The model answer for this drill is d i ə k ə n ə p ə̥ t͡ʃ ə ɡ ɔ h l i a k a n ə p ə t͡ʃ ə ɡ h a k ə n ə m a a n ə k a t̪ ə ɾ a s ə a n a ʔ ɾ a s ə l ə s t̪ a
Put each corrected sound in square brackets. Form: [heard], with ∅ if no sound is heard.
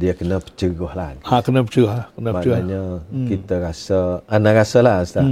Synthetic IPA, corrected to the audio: d i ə k ə n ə p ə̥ t͡ʃ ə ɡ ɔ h l [a] a k [ə] n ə p ə t͡ʃ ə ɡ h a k ə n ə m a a [ɲ] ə k [i] t̪ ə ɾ a s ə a n a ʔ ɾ a s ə l [a] s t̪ a